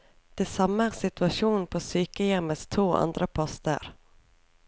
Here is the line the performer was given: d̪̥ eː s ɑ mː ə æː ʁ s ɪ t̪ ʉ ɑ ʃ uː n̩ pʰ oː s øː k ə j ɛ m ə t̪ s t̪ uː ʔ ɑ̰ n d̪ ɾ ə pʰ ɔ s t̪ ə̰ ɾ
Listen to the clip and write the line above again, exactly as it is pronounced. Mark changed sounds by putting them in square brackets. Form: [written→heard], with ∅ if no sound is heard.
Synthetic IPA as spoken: d̪̥ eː s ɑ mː ə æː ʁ s ɪ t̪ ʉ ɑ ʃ uː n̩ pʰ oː s [øː→yː] k ə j ɛ m ə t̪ s [t̪→t̪ʰ] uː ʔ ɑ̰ n d̪ ɾ ə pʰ ɔ s t̪ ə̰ ɾ